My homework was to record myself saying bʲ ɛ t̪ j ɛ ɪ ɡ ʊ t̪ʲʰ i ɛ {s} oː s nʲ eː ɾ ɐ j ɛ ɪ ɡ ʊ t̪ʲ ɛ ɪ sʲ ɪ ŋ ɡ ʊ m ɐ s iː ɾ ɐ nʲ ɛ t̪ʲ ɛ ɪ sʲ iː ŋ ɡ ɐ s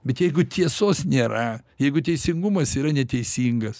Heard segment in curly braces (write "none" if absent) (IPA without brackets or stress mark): s